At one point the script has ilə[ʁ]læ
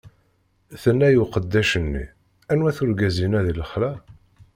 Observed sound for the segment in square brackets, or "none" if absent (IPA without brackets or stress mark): χ